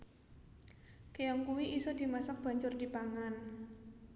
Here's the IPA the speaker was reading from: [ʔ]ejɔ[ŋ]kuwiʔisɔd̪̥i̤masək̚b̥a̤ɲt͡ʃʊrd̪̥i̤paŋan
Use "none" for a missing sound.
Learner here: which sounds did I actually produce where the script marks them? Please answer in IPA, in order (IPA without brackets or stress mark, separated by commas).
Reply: k, ŋ